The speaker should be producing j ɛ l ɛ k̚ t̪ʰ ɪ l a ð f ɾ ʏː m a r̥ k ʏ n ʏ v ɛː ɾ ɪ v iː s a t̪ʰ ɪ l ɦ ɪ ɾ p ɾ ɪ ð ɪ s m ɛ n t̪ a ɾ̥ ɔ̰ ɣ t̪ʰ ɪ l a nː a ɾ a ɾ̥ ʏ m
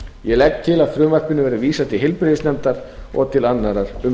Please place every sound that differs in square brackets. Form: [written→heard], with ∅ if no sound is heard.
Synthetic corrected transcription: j ɛ l ɛ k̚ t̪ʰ ɪ l a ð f ɾ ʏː m a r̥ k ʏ n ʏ v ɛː ɾ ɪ v iː s a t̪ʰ ɪ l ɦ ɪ [ɾ→l] p ɾ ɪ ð ɪ s [m→n] ɛ [n→m] t̪ a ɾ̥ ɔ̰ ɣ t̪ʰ ɪ l a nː a ɾ a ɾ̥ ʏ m